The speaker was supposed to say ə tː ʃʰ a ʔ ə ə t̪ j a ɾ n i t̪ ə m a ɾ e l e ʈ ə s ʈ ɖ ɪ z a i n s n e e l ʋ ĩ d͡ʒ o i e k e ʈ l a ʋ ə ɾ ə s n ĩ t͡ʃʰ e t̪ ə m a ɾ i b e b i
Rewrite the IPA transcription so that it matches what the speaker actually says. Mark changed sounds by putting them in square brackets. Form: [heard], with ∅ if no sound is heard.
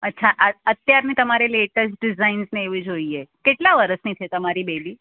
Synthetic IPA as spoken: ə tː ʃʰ a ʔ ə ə t̪ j a ɾ n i t̪ ə m a ɾ e l e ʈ ə s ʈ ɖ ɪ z a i n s n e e [∅] ʋ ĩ d͡ʒ o i e k e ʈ l a ʋ ə ɾ ə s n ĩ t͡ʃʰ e t̪ ə m a ɾ i b e b i